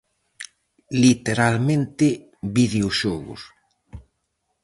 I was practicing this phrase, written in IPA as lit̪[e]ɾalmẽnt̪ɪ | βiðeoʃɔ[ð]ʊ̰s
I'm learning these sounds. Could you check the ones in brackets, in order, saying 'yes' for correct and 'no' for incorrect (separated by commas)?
yes, no